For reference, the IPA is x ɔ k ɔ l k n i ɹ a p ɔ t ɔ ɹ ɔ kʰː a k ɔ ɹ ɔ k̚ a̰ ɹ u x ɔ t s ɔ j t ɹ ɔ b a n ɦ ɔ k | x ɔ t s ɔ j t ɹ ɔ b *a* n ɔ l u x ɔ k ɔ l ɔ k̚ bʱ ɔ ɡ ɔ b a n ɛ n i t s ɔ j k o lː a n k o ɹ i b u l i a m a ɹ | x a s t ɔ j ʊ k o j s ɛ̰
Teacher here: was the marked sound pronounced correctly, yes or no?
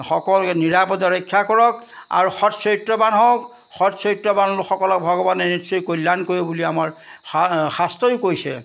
yes